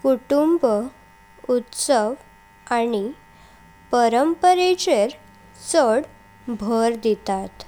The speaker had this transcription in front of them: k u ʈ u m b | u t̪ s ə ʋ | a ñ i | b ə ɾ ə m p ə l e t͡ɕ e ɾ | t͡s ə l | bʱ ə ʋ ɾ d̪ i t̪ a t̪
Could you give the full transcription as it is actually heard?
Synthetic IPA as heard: k u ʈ u m b | u t̪ s ə ʋ | a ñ i | p ə ɾ ə m p ə ɾ e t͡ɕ e ɾ | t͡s ə ɽ | bʱ ə ɾ d̪ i t̪ a t̪